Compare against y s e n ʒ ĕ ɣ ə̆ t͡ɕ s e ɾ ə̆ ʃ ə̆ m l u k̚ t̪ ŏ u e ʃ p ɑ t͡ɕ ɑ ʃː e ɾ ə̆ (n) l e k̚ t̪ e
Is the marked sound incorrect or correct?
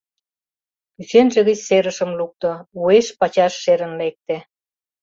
correct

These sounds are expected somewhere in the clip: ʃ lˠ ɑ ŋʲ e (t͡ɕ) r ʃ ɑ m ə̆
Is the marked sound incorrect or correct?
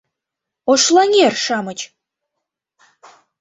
incorrect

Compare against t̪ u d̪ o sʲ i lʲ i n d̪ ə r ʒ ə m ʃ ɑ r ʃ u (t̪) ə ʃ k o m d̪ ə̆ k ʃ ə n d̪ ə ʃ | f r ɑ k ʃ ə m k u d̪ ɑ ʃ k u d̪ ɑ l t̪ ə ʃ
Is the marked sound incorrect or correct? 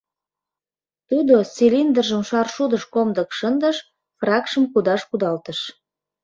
incorrect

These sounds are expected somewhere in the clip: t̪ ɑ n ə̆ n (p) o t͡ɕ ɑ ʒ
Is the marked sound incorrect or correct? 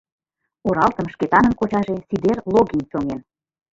incorrect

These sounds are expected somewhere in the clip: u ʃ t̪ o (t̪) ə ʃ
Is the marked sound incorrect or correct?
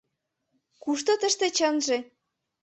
correct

